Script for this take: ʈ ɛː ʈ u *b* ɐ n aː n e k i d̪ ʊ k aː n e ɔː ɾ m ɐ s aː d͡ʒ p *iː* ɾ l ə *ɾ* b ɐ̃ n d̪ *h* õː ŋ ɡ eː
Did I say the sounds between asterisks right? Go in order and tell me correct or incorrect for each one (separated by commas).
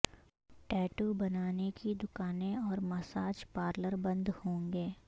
correct, incorrect, correct, correct